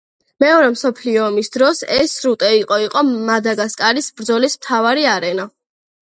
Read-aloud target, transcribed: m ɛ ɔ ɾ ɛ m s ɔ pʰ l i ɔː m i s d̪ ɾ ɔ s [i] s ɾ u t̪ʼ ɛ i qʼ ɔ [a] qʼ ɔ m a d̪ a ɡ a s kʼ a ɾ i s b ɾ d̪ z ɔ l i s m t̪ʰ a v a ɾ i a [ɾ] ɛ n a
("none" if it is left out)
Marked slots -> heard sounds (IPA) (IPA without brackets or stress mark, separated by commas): ɛ, i, ɾ